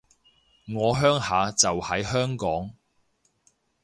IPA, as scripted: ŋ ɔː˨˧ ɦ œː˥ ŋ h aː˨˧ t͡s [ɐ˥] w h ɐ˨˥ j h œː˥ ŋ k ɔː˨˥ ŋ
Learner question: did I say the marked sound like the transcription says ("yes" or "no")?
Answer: no